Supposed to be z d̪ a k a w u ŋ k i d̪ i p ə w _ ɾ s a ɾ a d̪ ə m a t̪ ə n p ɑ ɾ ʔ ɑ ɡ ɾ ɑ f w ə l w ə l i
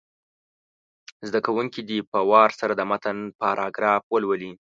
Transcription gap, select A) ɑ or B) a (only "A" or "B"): A